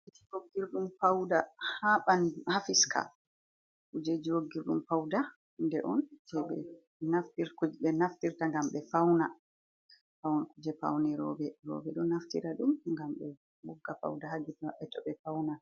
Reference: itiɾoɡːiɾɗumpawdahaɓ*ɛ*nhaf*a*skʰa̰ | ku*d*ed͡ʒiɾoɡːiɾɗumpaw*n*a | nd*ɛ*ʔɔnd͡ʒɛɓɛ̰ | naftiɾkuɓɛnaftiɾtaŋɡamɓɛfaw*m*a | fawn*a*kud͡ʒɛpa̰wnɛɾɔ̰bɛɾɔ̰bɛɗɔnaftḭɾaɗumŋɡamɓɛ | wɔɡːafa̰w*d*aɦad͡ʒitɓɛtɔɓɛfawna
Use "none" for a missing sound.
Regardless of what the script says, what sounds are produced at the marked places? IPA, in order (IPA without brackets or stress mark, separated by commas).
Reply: a, i, d͡ʒ, d, ɛ, n, a, d